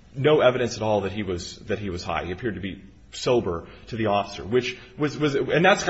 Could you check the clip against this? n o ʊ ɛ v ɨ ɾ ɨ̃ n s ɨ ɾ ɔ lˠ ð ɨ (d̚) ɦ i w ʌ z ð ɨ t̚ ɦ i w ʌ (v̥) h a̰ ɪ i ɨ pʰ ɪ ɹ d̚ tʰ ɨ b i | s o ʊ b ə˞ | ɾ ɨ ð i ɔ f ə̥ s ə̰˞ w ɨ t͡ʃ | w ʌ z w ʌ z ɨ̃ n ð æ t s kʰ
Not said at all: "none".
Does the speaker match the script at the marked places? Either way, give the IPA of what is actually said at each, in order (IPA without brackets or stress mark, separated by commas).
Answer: t̚, z̥